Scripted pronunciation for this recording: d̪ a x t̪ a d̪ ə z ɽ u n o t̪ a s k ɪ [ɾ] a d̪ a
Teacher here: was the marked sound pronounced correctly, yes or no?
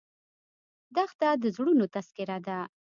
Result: yes